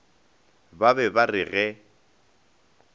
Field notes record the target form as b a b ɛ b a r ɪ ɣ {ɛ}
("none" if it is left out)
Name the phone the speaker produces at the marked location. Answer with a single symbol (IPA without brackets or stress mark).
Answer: ɛ